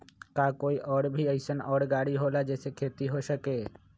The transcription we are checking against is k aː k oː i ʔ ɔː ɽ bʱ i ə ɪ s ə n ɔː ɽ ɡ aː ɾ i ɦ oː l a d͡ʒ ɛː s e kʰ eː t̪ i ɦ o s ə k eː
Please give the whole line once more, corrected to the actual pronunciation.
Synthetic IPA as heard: k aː k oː i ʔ ɔː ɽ bʱ i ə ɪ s ə n ɔː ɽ ɡ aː ɽ i ɦ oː l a d͡ʒ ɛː s e kʰ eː t̪ i ɦ o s ə k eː

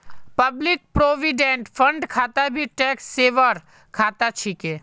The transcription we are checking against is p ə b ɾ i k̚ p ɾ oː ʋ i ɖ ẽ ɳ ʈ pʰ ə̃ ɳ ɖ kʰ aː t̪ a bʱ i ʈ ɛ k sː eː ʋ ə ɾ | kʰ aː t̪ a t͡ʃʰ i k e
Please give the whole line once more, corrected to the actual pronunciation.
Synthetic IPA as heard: p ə b l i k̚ p ɾ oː ʋ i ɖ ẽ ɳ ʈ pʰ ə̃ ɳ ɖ kʰ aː t̪ a bʱ i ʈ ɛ k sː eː ʋ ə ɾ | kʰ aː t̪ a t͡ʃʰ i k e

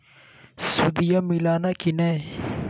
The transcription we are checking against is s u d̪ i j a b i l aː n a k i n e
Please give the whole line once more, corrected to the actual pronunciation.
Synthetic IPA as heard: s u d̪ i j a m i l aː n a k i n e

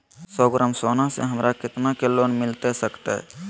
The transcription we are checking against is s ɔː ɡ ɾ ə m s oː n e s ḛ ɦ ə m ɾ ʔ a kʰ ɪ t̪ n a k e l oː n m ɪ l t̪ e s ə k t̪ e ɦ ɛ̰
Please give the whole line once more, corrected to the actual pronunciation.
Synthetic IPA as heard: s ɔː ɡ ɾ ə m s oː n a s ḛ ɦ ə m ɾ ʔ a k ɪ t̪ n a k e l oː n m ɪ l t̪ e s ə k t̪ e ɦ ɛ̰

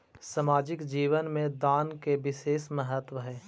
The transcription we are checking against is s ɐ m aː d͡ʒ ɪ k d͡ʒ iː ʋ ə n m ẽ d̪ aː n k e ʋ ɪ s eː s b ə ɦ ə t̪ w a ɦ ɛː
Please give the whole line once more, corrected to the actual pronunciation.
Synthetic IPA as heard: s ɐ m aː d͡ʒ ɪ k d͡ʒ iː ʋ ə n m ẽ d̪ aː n k e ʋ ɪ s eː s m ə ɦ ə t̪ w ə ɦ ɛː

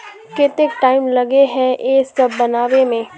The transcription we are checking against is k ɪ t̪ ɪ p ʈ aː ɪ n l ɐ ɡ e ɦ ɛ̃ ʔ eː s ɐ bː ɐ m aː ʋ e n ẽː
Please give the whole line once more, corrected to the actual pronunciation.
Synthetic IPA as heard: k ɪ t̪ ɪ k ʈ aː ɪ m l ɐ ɡ e ɦ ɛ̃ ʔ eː s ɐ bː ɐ n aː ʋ e m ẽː

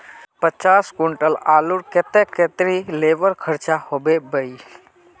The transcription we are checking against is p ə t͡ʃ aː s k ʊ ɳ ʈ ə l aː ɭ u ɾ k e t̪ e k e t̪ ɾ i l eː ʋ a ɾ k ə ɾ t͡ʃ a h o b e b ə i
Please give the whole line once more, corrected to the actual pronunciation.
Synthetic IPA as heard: p ə t͡ʃ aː s k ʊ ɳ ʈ ə l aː l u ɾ k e t̪ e k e t̪ ɾ i l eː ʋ ə ɾ kʰ ə ɾ t͡ʃ a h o b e b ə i

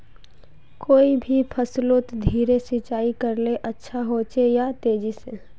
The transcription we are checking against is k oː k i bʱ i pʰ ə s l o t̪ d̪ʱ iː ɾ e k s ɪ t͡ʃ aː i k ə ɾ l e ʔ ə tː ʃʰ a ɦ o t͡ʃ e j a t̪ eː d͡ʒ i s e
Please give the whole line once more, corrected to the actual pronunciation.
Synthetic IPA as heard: k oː i bʱ i pʰ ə s l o t̪ d̪ʱ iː ɾ e s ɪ t͡ʃ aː i k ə ɾ l e ʔ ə tː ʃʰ a ɦ o t͡ʃ e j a t̪ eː d͡ʒ i s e

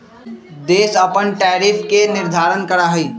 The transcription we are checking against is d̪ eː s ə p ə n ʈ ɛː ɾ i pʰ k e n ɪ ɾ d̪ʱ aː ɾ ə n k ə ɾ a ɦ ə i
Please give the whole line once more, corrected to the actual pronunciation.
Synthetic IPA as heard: d̪ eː s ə p ə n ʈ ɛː ɾ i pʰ k e n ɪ ɾ d̪ʱ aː ɾ ə n k ə ɾ a ɦ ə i

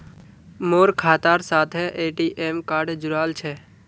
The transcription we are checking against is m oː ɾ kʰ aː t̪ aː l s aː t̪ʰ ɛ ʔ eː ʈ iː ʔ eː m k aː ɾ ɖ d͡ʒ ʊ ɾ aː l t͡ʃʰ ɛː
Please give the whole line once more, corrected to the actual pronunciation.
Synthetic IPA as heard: m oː ɾ kʰ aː t̪ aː ɾ s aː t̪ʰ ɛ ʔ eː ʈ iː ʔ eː m k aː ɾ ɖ d͡ʒ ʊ ɾ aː l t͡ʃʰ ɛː

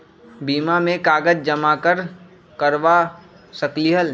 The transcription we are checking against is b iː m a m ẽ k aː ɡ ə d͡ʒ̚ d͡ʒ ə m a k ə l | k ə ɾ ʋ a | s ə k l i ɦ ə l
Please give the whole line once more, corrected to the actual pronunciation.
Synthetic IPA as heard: b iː m a m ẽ k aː ɡ ə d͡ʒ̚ d͡ʒ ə m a k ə ɾ | k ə ɾ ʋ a | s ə k l i ɦ ə l

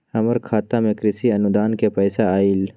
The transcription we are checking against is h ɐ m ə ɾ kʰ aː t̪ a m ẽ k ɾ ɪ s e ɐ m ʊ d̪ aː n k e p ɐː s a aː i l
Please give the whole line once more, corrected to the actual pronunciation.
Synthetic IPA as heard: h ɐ m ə ɾ kʰ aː t̪ a m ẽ k ɾ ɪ s i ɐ n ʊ d̪ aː n k e p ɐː s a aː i l

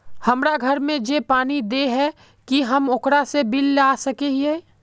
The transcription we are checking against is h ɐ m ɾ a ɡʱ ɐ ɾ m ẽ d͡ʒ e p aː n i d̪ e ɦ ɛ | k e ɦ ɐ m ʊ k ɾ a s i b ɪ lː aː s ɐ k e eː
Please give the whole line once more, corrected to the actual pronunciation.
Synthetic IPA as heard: h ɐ m ɾ a ɡʱ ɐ ɾ m ẽ d͡ʒ e p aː n i d̪ e ɦ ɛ | k i ɦ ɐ m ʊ k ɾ a s e b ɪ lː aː s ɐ k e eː

